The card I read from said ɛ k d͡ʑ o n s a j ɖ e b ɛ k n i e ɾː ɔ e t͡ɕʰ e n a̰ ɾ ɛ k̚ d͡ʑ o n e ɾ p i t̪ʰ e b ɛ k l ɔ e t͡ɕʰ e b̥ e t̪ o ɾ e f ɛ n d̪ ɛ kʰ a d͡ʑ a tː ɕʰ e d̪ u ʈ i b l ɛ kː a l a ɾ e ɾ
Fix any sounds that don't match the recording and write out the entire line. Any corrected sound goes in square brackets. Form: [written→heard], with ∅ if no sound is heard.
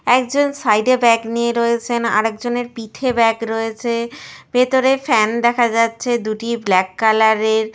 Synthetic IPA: ɛ k d͡ʑ o n s a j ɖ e b ɛ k n i e [ɾː→ɾ] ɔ e t͡ɕʰ e n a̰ ɾ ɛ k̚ d͡ʑ o n e ɾ p i t̪ʰ e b ɛ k [l→ɾ] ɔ e t͡ɕʰ e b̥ e t̪ o ɾ e f ɛ n d̪ ɛ kʰ a d͡ʑ a tː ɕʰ e d̪ u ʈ i b l ɛ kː a l a ɾ e ɾ